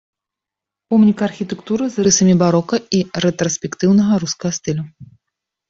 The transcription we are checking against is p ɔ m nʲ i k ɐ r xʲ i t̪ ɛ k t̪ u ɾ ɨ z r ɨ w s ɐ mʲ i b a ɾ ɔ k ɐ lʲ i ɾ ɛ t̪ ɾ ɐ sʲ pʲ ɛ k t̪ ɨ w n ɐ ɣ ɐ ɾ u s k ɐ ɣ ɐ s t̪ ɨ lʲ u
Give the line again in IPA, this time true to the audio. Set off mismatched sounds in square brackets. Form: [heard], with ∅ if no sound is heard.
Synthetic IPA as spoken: p ɔ m nʲ i k ɐ r xʲ i t̪ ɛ k t̪ u ɾ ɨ z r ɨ [∅] s ɐ mʲ i b a ɾ ɔ k ɐ [∅] i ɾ ɛ t̪ ɾ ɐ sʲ pʲ ɛ k t̪ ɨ w n ɐ ɣ ɐ ɾ u s k ɐ ɣ ɐ s t̪ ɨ lʲ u